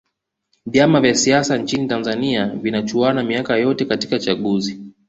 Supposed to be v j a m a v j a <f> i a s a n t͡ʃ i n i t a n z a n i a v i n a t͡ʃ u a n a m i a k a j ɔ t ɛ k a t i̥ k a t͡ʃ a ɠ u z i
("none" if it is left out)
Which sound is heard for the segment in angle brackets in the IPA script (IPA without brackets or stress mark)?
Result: s